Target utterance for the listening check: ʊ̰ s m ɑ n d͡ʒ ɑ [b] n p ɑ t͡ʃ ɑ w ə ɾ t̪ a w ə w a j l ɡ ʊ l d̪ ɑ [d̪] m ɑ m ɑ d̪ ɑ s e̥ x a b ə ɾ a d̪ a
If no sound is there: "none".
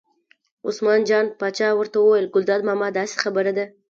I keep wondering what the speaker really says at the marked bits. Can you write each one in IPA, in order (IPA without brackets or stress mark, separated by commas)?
none, d̪